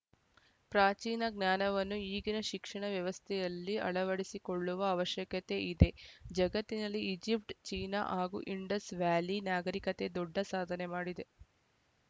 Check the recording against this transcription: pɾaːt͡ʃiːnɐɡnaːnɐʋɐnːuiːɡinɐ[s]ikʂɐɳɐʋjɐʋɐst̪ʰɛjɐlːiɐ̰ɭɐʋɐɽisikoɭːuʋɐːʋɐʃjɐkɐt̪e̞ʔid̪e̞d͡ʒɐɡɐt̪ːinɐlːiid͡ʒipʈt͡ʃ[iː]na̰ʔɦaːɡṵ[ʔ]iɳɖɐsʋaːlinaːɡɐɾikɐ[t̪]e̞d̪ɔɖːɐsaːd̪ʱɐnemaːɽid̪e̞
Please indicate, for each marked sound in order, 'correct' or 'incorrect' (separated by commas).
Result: incorrect, correct, correct, correct